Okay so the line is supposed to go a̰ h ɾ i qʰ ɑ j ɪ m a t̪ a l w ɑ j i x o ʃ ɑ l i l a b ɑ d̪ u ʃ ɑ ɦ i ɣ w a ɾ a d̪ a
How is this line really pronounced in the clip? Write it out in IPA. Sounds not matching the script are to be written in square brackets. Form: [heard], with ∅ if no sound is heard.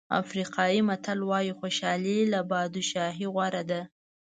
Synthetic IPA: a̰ [f] ɾ i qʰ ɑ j [i] m a t̪ a l w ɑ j i x o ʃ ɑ l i l a b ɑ d̪ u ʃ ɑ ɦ i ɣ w a ɾ a d̪ a